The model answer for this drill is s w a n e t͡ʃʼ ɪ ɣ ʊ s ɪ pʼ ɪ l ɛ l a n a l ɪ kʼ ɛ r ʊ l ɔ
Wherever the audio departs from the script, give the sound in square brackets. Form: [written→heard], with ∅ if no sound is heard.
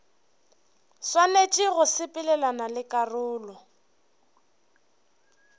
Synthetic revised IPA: s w a n e t͡ʃʼ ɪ ɣ ʊ s ɪ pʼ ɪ l ɛ l a n a l ɪ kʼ [ɛ→a] r [ʊ→ʊː] l ɔ